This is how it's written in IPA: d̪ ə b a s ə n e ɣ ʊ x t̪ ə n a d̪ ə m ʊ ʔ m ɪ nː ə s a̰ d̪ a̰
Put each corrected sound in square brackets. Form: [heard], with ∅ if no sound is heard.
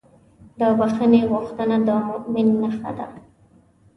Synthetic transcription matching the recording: d̪ ə b a [x] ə n e ɣ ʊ x t̪ ə n a d̪ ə m ʊ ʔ m ɪ nː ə [x] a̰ d̪ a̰